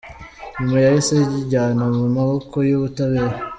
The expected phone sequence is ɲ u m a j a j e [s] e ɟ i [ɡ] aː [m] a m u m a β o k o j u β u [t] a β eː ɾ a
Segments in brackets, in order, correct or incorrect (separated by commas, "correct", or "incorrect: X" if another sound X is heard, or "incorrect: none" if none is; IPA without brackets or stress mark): correct, incorrect: ɟ, incorrect: n, correct